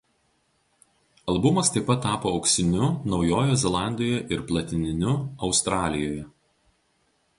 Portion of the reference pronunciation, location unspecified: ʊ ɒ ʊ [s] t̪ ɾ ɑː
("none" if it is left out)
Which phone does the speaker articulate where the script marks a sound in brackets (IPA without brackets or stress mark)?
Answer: s